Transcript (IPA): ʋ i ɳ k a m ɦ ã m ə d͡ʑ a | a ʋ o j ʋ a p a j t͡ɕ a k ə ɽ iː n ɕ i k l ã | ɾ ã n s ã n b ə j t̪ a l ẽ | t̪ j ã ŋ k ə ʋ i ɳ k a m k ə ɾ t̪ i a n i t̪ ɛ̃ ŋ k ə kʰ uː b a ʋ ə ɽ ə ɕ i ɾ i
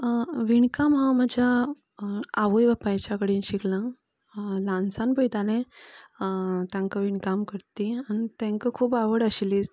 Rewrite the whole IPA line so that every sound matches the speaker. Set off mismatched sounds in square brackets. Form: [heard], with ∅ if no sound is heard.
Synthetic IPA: ʋ i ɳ k a m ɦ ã m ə d͡ʑ a | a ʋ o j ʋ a p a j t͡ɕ a k ə ɽ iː n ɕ i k l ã | [l] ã n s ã n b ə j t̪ a l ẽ | t̪ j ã ŋ k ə ʋ i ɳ k a m k ə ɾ t̪ i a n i t̪ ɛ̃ ŋ k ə kʰ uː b a ʋ ə ɽ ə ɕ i [l] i